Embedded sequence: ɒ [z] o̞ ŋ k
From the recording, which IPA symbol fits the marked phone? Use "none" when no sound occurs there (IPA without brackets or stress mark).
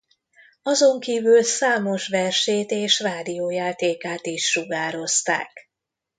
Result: z